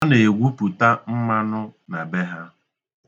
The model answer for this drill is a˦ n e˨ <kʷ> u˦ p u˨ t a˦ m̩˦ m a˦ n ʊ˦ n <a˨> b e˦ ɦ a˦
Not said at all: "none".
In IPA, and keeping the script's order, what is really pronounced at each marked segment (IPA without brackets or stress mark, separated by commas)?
ɡʷ, a˨